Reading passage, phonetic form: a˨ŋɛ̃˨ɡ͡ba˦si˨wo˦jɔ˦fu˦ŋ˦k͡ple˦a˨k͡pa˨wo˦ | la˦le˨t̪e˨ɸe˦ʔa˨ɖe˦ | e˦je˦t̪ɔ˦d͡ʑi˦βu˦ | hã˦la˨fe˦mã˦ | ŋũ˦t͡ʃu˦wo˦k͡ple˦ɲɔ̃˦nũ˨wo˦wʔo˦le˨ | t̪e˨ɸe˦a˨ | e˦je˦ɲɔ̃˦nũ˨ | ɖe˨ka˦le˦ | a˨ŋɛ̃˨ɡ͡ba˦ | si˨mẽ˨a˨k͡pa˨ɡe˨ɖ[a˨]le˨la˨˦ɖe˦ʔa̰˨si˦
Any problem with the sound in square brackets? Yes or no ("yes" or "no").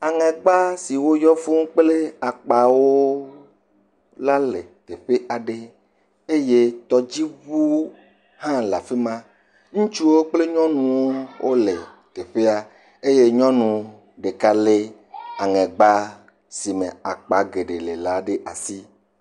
yes